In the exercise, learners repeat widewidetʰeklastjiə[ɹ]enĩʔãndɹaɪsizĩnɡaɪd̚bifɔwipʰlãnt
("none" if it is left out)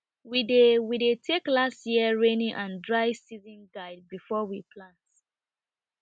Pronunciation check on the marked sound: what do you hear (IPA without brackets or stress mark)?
ɹ